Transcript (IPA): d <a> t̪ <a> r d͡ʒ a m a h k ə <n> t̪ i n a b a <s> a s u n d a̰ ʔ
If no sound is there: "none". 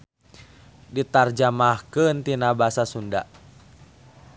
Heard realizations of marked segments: i, a, n, s

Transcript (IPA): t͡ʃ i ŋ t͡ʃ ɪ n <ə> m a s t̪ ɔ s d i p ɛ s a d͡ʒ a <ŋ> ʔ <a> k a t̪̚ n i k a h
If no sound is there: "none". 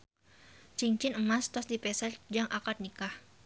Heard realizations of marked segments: ə, ŋ, a

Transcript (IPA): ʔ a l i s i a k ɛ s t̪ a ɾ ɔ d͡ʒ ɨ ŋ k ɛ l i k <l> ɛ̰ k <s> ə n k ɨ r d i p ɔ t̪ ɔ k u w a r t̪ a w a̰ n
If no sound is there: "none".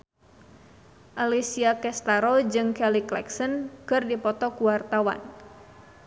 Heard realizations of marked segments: l, s

